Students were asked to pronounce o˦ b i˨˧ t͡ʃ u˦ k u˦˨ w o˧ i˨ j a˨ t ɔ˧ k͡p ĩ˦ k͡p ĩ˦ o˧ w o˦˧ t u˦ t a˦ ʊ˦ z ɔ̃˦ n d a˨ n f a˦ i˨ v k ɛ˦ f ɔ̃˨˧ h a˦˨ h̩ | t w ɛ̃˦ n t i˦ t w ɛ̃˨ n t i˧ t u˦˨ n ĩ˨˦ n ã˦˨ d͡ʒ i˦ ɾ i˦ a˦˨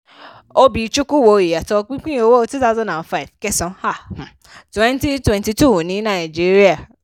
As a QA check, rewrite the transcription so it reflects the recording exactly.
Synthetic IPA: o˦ b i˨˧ t͡ʃ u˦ k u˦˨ w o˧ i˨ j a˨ t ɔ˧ k͡p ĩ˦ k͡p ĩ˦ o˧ w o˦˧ t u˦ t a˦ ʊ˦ z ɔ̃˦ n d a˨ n f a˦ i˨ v k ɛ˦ s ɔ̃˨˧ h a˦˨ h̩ | t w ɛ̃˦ n t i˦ t w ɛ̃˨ n t i˧ t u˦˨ n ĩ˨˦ n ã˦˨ d͡ʒ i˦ ɾ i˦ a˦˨